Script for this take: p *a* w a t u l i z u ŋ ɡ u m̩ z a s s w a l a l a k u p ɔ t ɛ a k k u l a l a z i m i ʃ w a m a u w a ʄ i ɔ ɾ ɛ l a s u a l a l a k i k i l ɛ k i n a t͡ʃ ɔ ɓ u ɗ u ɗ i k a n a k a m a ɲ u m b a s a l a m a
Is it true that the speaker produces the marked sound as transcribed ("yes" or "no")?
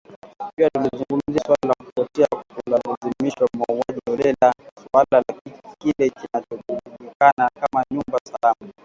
no